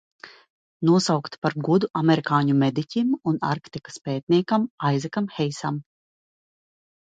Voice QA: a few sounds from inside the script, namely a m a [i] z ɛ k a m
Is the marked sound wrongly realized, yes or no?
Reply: yes